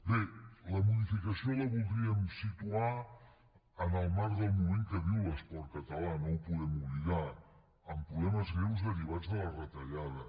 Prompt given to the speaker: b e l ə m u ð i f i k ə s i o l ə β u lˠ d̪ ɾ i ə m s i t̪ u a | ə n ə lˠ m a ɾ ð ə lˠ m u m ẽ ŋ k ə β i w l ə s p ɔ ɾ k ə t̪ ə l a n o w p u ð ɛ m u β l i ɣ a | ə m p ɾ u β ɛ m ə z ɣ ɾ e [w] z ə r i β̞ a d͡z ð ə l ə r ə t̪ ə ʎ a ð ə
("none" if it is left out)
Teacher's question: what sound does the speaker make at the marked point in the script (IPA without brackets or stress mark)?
w